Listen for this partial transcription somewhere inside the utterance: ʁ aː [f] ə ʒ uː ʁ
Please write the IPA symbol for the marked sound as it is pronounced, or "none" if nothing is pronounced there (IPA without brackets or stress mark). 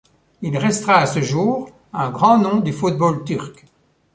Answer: s